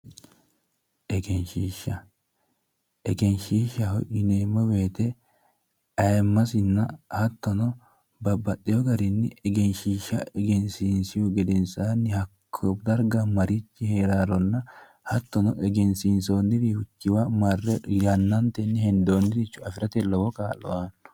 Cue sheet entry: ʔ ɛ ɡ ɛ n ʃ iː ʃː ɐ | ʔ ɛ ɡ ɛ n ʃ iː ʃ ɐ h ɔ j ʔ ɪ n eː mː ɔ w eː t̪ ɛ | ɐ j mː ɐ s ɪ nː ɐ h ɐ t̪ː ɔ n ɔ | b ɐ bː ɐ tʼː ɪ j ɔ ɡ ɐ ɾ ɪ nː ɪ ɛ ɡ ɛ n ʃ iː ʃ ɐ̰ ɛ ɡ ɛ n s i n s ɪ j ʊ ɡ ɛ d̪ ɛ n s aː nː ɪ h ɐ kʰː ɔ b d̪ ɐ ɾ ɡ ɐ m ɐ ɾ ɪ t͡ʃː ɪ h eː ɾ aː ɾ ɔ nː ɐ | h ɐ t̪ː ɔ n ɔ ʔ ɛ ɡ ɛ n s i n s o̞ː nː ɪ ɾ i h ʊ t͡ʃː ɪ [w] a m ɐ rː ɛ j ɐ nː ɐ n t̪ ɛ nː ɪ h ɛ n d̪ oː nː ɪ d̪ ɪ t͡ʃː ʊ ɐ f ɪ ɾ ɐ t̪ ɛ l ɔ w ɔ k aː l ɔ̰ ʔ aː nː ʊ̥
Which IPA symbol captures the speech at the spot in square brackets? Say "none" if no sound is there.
w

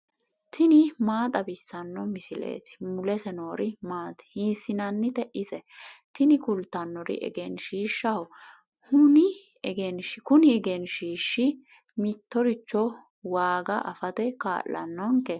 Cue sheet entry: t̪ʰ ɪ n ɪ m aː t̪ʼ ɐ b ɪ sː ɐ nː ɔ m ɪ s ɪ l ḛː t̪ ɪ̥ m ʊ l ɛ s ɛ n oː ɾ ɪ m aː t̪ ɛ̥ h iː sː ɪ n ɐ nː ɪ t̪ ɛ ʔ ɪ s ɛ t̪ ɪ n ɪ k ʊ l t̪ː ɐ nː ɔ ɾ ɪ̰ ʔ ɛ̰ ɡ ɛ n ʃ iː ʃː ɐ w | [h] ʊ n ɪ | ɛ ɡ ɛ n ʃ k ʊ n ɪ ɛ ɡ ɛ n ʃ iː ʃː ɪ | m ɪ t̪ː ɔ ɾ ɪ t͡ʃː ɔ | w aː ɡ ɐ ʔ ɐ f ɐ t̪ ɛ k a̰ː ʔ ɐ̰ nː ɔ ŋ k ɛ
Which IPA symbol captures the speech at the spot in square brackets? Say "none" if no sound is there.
h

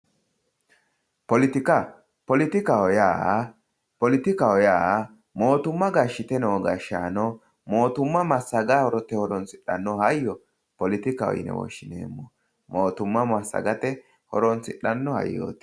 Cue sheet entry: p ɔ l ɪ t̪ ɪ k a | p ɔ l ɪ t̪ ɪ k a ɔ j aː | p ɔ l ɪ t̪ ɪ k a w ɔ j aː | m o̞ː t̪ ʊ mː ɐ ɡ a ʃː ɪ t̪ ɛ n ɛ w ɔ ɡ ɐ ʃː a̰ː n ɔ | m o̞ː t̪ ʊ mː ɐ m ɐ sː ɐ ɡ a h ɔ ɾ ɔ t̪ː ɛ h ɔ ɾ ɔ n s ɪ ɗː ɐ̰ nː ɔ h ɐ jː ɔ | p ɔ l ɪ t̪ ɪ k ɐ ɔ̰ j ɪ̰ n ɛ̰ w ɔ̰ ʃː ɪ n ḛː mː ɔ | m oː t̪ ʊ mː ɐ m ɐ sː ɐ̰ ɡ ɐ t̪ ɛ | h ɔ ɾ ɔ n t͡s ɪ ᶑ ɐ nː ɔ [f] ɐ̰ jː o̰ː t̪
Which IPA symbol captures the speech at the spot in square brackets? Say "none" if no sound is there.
h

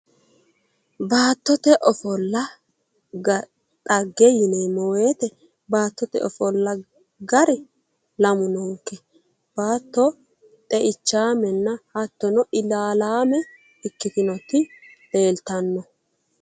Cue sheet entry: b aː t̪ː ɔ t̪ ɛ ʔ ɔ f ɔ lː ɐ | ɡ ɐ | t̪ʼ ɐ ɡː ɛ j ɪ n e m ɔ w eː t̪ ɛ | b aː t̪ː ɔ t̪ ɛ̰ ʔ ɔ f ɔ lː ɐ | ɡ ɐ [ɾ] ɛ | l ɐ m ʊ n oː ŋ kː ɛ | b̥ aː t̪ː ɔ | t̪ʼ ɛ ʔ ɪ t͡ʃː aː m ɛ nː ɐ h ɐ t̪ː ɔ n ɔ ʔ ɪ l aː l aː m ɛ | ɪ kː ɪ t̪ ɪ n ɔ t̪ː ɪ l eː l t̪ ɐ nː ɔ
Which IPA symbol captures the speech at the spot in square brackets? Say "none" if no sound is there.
ɾ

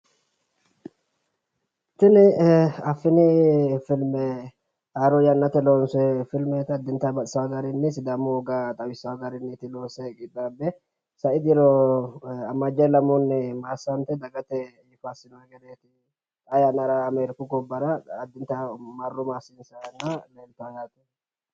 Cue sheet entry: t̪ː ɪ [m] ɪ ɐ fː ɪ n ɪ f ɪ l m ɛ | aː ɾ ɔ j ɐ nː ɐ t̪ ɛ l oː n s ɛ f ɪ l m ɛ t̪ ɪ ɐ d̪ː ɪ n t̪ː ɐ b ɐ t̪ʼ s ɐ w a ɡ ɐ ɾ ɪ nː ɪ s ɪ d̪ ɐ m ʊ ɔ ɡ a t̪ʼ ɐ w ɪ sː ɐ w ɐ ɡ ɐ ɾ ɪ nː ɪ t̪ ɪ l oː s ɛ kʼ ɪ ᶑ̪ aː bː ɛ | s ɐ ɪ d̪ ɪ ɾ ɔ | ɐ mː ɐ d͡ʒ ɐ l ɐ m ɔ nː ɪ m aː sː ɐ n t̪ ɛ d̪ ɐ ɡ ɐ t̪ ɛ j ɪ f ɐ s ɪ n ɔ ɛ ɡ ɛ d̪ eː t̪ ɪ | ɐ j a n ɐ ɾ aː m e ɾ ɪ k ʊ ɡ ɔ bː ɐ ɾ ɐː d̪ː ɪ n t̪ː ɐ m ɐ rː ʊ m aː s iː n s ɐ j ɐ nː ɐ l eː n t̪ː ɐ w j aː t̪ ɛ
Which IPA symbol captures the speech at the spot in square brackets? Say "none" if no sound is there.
n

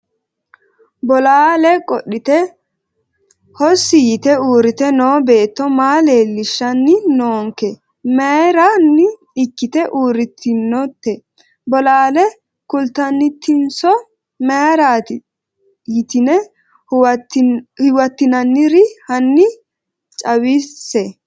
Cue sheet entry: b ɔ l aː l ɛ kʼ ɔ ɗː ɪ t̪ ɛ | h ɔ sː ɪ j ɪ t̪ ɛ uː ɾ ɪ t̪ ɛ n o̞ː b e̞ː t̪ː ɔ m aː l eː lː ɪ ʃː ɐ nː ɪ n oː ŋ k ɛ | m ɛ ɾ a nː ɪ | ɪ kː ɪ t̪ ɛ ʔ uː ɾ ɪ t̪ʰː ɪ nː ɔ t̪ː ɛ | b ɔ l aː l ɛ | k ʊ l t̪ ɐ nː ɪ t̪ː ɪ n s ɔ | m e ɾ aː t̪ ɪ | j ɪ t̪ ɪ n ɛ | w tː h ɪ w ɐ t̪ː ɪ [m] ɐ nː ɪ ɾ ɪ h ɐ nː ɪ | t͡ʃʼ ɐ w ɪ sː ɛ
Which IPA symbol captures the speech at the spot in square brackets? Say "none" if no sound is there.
n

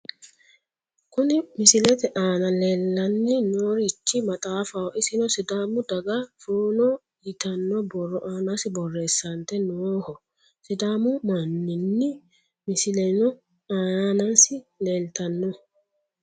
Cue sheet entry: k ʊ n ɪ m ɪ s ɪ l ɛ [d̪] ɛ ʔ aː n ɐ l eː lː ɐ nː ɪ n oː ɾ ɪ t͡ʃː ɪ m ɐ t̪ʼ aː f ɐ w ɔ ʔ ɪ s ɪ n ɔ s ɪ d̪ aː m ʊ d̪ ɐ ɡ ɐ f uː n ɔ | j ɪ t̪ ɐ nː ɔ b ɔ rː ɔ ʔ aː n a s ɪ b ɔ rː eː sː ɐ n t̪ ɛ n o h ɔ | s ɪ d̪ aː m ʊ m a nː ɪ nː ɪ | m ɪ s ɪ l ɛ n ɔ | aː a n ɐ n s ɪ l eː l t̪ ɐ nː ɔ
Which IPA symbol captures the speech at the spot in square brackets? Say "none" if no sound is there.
t̪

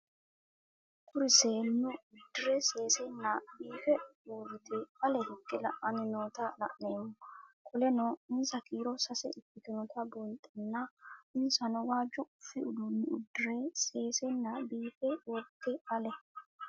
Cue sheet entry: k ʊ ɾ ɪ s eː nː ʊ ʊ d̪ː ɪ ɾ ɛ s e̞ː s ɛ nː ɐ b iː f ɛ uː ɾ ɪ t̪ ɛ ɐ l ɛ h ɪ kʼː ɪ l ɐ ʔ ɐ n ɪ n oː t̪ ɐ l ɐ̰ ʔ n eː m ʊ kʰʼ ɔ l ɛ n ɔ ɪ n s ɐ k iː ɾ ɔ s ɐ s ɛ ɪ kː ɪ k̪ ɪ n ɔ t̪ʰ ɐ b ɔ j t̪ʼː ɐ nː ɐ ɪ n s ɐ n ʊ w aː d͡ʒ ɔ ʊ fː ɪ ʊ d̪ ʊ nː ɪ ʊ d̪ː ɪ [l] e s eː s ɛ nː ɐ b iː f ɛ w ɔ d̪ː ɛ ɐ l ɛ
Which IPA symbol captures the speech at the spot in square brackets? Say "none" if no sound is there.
ɾ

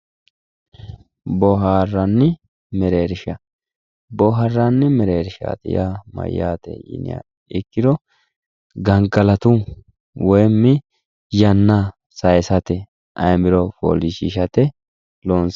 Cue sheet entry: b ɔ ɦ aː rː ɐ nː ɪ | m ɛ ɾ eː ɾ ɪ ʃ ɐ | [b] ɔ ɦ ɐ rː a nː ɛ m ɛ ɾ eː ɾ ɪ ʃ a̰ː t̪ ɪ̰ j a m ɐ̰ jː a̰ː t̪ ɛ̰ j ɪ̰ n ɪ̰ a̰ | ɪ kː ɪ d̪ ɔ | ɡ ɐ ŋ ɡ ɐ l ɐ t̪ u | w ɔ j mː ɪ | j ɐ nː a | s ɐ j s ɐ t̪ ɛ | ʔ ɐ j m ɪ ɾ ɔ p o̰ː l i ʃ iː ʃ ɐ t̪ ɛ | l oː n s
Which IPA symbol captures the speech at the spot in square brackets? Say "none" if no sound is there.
b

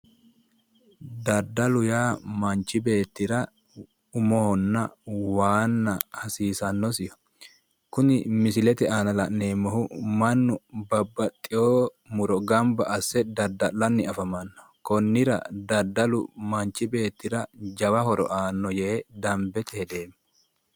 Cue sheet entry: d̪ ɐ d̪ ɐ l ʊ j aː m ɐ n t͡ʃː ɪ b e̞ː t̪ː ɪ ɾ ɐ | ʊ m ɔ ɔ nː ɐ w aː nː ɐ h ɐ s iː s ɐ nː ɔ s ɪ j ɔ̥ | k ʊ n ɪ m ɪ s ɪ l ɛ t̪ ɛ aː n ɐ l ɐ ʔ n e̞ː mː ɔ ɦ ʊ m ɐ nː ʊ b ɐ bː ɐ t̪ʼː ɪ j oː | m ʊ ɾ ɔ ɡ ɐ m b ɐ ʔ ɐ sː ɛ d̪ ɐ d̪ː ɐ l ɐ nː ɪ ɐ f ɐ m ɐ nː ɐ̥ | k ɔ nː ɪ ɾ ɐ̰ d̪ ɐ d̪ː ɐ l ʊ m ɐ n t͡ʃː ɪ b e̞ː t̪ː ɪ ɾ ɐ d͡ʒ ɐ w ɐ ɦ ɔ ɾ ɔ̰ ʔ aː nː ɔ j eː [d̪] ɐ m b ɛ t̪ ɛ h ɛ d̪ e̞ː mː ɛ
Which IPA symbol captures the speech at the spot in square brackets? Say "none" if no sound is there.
d̪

